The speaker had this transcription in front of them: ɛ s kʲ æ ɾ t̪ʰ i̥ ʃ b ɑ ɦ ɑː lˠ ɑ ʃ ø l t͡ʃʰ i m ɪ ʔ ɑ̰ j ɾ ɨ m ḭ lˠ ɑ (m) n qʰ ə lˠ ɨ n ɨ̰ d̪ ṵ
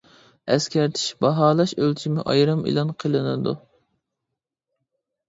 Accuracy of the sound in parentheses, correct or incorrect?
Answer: incorrect